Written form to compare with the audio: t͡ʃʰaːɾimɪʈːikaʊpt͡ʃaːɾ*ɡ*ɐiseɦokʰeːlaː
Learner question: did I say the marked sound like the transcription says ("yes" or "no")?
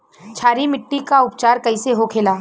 no